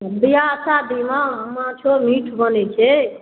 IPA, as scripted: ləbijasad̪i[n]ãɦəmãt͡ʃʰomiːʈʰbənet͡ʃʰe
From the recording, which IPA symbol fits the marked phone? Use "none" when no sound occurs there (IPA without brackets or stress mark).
m